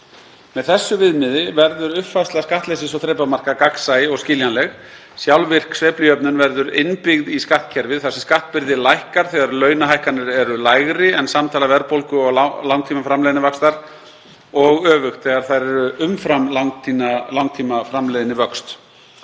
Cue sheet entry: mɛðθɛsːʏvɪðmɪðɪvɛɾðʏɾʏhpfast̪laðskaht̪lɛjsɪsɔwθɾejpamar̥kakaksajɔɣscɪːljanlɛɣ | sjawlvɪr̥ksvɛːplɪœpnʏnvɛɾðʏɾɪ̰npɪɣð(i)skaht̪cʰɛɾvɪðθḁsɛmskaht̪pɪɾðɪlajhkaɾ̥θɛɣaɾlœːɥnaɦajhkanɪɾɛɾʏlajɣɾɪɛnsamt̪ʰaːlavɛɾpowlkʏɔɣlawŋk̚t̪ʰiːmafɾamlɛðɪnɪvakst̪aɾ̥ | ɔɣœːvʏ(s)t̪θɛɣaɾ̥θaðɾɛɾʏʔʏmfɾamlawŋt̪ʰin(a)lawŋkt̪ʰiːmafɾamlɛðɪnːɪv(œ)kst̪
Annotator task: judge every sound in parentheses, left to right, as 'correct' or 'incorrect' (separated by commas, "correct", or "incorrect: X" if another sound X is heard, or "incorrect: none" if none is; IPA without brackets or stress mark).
correct, incorrect: x, correct, correct